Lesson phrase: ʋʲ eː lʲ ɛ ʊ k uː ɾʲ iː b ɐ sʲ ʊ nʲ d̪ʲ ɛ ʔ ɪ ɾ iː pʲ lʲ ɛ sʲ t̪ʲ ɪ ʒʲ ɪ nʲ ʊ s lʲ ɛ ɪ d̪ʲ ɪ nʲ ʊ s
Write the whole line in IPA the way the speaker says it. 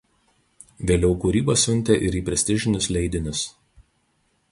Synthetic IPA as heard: ʋʲ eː lʲ ɛ ʊ k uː ɾʲ iː b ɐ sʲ ʊ nʲ t̪ʲ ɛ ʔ ɪ ɾ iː pʲ ɾʲ ɛ sʲ t̪ʲ ɪ ʒʲ ɪ nʲ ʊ s lʲ ɛ ɪ d̪ʲ ɪ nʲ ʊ s